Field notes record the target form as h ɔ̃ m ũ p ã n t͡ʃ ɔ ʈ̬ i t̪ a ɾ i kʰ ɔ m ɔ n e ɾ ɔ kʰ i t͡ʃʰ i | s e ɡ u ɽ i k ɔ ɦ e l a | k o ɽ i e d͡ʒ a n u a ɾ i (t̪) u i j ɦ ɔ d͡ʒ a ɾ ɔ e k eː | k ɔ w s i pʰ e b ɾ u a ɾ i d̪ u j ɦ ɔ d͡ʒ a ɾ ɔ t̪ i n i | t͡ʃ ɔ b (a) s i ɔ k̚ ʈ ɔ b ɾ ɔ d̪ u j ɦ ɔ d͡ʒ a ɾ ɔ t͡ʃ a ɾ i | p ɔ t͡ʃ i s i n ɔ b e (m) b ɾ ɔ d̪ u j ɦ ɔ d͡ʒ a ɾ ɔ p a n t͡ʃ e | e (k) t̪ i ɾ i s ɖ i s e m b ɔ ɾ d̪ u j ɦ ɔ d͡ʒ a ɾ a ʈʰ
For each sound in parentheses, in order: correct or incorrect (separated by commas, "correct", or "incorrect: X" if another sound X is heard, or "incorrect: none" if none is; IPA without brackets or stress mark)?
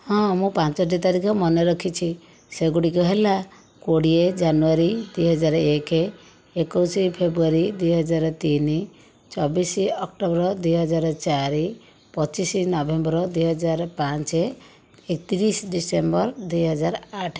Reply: incorrect: d̪, incorrect: i, correct, correct